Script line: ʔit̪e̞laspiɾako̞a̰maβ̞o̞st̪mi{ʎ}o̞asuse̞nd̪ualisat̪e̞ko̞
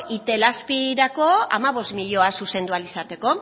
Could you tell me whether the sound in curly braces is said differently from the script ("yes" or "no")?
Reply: no